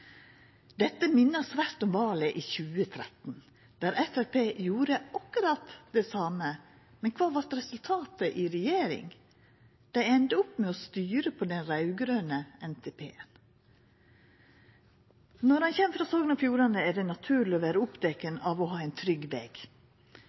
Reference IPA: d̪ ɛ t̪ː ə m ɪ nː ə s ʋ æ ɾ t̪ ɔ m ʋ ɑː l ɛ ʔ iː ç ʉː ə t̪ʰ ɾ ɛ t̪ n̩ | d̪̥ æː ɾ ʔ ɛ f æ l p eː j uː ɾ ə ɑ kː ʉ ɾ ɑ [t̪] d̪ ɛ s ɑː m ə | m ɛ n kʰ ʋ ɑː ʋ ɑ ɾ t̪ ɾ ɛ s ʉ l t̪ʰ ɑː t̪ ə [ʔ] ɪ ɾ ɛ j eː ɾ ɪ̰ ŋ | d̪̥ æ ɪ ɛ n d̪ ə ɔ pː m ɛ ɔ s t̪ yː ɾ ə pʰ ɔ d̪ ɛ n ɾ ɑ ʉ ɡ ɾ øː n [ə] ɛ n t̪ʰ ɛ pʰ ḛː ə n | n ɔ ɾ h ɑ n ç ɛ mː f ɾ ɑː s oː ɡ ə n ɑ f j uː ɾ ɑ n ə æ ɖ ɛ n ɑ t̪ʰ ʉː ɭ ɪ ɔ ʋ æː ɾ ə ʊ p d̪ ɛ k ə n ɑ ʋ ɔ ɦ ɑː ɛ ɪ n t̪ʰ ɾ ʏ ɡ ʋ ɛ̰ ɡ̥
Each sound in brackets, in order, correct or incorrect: correct, correct, correct

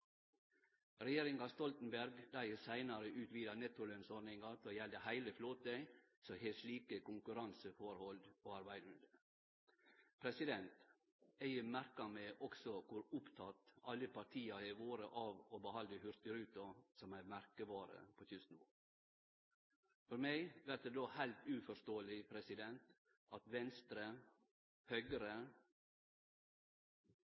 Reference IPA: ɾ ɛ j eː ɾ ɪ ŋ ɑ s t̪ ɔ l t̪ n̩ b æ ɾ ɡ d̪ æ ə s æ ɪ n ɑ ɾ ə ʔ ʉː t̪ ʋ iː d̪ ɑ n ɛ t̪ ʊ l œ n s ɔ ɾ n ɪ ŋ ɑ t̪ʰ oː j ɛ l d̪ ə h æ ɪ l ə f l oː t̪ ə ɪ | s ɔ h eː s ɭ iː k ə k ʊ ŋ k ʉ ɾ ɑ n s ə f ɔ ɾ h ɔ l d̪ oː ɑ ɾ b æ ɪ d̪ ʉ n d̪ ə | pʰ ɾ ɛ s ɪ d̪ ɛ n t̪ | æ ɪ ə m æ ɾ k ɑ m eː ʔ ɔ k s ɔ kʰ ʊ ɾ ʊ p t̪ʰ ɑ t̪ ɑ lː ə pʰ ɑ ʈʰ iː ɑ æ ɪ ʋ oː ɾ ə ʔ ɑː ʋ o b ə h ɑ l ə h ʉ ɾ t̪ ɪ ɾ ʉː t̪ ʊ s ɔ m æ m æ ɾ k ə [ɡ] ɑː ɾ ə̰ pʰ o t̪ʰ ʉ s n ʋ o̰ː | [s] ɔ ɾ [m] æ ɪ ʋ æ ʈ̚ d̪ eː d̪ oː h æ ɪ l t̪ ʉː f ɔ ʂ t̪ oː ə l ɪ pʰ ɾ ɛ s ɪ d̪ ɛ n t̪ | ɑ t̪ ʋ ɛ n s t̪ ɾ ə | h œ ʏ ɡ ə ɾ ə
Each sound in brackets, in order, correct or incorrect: incorrect: b, incorrect: f, correct

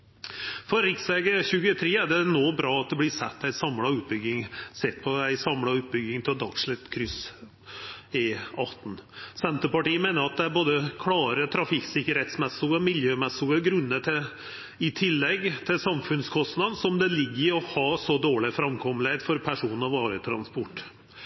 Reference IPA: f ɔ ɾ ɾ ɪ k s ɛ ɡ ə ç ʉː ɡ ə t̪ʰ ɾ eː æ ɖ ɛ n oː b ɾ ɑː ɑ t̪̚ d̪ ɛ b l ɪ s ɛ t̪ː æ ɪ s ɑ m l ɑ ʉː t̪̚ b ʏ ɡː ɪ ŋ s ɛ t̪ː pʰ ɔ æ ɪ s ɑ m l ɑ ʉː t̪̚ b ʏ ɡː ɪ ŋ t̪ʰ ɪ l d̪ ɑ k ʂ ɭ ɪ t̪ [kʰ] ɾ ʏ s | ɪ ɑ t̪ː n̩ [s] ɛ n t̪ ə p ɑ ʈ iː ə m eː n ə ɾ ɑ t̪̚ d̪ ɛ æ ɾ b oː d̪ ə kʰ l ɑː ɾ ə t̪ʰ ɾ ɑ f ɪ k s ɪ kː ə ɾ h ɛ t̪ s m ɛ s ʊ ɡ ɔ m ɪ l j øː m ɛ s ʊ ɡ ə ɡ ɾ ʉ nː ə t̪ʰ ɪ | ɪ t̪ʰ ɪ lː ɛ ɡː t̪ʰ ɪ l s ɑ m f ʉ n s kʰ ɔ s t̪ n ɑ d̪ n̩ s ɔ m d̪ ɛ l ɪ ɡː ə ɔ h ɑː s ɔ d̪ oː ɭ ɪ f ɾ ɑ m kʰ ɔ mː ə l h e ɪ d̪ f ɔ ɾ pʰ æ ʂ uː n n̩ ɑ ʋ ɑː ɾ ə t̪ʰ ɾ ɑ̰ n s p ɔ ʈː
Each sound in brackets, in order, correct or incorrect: correct, correct

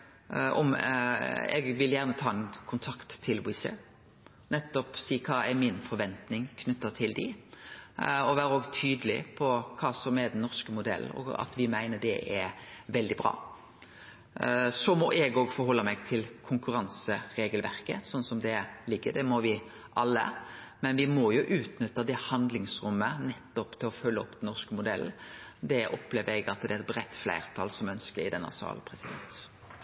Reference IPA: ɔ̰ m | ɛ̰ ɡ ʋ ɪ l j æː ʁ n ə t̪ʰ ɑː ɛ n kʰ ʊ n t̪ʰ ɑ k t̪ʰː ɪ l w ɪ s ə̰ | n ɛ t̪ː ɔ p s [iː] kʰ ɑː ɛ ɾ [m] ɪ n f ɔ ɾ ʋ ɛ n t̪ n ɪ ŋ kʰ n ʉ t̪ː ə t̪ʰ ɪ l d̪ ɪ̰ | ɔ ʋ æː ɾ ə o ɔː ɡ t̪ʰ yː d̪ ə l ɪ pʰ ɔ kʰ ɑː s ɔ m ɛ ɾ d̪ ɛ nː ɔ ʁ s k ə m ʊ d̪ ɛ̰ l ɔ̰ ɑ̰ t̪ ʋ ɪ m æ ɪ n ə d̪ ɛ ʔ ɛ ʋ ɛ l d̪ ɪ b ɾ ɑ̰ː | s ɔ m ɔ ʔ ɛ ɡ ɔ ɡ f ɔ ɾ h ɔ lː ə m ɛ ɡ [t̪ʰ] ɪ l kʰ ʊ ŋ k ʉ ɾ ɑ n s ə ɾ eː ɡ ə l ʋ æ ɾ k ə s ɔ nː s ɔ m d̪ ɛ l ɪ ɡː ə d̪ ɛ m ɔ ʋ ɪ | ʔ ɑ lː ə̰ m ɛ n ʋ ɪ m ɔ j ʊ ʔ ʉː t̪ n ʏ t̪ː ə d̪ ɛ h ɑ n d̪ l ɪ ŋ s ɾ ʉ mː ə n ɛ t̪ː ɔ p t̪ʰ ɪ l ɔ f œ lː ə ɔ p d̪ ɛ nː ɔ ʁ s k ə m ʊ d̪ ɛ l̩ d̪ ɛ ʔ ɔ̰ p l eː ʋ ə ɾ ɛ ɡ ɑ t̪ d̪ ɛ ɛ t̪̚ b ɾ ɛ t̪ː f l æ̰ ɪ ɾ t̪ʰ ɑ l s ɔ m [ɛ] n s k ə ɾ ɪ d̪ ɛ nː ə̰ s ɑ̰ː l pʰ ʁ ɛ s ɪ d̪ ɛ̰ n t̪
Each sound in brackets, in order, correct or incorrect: correct, correct, correct, incorrect: œ

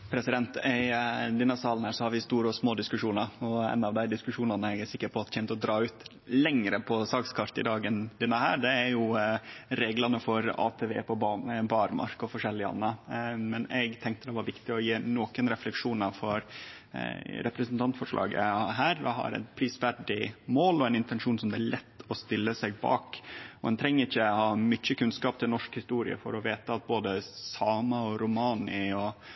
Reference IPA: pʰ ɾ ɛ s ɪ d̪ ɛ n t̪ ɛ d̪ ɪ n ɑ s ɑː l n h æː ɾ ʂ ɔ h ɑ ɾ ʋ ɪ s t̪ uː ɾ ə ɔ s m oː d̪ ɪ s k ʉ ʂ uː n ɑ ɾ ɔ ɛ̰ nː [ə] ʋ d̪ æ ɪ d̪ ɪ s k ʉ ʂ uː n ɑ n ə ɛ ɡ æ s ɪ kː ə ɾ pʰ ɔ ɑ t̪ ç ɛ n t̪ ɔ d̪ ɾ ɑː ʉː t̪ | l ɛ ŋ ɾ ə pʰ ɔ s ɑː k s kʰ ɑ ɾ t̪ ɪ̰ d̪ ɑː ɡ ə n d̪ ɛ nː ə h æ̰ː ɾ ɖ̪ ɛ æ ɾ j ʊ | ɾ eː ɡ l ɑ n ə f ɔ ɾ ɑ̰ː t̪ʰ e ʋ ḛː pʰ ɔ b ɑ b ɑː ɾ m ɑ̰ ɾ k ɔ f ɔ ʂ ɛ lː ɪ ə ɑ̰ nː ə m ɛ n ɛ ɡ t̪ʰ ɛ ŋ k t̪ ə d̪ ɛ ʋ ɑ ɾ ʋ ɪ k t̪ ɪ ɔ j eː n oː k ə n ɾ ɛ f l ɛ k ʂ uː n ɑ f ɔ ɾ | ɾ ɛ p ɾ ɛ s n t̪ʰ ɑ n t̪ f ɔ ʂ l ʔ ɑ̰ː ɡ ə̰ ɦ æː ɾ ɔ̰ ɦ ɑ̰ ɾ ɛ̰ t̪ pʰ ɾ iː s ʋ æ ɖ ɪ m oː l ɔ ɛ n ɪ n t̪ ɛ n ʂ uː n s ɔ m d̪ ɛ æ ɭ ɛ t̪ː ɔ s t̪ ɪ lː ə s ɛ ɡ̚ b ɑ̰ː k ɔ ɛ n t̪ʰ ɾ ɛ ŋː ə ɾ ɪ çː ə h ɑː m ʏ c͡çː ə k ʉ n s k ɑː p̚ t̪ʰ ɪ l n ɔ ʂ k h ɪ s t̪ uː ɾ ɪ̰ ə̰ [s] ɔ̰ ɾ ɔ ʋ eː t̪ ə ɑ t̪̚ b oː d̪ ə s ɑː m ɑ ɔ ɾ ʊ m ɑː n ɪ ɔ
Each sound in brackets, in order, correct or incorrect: incorrect: ɑ, incorrect: f

